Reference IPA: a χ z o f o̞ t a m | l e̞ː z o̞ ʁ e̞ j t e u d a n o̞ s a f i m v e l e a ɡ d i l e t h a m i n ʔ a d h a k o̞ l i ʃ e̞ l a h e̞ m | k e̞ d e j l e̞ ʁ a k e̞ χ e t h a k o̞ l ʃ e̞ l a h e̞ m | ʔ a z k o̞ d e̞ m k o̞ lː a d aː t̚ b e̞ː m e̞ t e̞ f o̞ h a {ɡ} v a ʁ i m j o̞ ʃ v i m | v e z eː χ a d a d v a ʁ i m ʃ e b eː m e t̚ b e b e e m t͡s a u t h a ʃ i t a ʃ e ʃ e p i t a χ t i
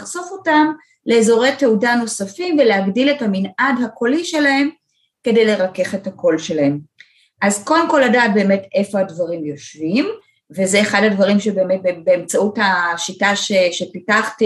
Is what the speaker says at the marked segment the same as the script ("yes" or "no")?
no